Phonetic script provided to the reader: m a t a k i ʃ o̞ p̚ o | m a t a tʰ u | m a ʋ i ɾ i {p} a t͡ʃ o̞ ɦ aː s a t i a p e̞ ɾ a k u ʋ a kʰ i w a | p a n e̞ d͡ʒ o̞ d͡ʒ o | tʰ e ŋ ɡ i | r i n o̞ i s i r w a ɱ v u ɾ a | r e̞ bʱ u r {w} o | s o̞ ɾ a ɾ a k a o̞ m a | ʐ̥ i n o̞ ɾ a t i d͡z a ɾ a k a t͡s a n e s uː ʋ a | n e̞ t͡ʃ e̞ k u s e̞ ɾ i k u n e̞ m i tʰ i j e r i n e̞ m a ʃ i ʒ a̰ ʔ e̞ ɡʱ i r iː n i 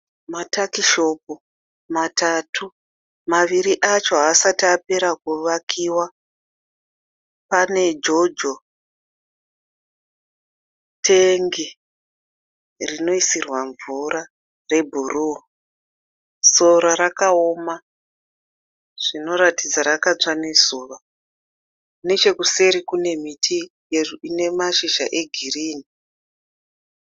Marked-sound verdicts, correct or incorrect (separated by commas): incorrect, incorrect